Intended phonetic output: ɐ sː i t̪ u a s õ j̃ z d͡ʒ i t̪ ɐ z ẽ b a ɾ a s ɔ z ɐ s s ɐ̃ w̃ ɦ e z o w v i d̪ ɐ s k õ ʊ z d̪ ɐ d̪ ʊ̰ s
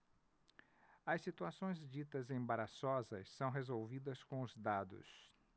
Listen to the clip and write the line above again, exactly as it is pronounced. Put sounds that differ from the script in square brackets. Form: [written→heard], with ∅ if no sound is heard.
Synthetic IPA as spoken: ɐ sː i t̪ u a s õ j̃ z d͡ʒ i t̪ ɐ z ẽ b a ɾ a s ɔ z ɐ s s ɐ̃ w̃ ɦ e z o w v i d̪ ɐ s k õ ʊ z d̪ [ɐ→a] d̪ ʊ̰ s